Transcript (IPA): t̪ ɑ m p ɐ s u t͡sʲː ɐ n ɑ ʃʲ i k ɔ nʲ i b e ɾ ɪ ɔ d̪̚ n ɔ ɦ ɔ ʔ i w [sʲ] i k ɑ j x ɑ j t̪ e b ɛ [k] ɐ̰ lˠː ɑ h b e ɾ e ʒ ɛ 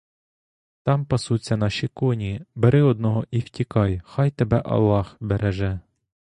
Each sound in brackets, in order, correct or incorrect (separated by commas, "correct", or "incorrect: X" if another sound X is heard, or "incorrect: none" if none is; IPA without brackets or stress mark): incorrect: tʲ, incorrect: ʔ